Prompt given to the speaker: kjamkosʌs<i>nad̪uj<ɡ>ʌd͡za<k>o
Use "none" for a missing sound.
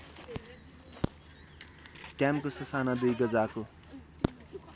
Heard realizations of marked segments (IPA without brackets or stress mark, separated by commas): a, ɡ, k